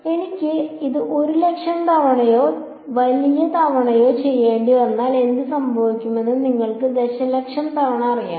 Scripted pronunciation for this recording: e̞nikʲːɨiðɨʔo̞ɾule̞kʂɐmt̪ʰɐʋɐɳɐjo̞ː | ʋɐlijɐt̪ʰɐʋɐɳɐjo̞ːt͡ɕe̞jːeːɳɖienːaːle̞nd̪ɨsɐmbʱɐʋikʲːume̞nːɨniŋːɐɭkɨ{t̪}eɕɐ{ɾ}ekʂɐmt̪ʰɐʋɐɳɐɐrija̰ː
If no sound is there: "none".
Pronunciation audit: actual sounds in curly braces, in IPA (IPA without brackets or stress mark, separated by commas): d̪, l